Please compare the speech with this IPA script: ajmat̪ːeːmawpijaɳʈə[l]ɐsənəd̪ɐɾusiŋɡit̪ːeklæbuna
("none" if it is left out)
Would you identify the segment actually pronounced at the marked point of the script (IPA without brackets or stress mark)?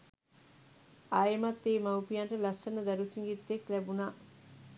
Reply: l